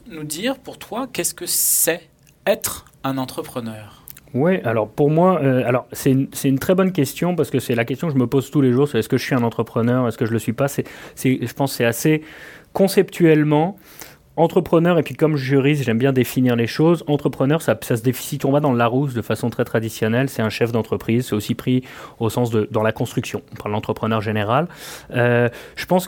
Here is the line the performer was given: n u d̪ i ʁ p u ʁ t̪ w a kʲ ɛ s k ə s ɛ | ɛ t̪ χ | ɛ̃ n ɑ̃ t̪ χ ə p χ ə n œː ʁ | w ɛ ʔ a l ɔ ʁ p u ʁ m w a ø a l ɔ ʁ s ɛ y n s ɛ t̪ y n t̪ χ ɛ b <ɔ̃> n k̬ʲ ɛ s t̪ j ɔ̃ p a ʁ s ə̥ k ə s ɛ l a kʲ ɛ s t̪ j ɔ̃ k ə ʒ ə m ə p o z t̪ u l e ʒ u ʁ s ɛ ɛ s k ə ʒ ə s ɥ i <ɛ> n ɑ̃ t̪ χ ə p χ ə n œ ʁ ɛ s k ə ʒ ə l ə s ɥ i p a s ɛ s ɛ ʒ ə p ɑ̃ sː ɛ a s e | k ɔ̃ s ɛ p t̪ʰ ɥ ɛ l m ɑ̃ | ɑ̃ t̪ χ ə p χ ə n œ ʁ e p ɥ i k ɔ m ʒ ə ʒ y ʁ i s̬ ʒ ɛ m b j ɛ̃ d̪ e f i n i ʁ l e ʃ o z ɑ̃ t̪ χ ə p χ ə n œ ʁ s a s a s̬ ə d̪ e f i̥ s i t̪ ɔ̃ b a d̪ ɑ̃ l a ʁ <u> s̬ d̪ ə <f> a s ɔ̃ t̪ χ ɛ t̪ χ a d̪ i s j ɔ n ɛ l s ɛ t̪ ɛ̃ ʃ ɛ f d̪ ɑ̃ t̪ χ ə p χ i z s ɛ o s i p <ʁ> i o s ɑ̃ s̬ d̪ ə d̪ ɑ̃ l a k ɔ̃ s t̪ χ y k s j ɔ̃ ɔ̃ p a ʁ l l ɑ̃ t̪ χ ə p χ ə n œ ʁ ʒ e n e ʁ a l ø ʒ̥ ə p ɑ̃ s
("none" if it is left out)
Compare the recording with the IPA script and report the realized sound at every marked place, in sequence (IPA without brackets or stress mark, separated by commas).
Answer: ɔ, ɛ̃, u, f, χ